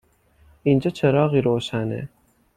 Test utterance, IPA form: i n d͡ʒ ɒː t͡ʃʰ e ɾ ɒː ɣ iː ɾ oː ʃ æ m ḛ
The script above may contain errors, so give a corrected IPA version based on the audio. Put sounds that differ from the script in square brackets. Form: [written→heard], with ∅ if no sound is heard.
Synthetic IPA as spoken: i n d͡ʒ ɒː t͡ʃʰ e ɾ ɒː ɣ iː ɾ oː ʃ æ [m→n] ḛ